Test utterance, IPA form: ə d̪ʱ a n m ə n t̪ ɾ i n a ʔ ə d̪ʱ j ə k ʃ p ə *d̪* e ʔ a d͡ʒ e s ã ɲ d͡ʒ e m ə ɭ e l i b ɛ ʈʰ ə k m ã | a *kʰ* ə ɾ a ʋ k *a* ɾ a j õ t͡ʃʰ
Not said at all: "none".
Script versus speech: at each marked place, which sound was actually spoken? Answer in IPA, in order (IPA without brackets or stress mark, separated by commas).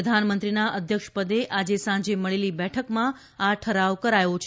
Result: d̪, ʈʰ, ə